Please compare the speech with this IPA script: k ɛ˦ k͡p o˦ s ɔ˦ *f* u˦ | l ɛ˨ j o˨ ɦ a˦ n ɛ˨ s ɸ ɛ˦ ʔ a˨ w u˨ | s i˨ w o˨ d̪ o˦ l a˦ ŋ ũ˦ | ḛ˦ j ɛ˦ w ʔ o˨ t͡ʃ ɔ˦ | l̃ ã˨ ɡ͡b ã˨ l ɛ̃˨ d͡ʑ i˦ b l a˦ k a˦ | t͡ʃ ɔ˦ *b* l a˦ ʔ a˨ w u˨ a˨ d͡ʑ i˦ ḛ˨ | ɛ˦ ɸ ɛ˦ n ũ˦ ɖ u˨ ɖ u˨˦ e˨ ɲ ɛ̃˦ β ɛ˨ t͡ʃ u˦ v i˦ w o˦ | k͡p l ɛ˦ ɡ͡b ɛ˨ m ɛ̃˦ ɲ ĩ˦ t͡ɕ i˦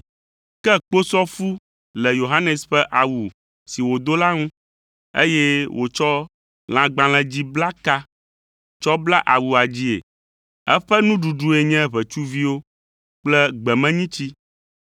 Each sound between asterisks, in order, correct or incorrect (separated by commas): correct, correct